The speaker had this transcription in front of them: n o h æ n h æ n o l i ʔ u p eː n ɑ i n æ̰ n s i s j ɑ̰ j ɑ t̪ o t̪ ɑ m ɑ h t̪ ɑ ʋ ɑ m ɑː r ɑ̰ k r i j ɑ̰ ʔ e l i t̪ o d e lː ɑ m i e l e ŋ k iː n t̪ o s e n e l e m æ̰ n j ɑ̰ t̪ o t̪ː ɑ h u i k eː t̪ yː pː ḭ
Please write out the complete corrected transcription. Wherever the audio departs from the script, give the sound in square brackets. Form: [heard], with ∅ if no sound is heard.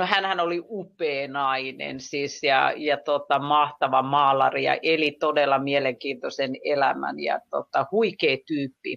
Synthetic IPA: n o h æ n h æ n o l i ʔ u p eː n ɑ i n [ḛ] n s i s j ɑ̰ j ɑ t̪ o t̪ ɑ m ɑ h t̪ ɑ ʋ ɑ m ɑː [l] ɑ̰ [∅] r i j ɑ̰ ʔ e l i t̪ o d e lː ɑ m i e l e ŋ k iː n t̪ o s e n e l [æ] m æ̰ n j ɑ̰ t̪ o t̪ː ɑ h u i k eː t̪ yː pː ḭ